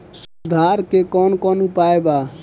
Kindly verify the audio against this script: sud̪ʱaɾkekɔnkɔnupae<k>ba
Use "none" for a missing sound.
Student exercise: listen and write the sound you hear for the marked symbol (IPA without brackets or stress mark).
none